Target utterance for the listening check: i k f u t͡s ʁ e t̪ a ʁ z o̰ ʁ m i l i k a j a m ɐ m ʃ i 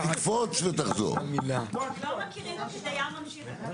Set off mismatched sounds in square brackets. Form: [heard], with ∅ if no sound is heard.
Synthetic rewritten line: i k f [o] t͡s [v] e t̪ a [χ] z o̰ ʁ m i l [a] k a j a m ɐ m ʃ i